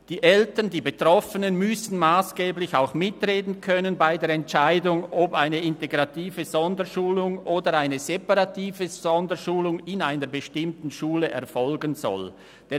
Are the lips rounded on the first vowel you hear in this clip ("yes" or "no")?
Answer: no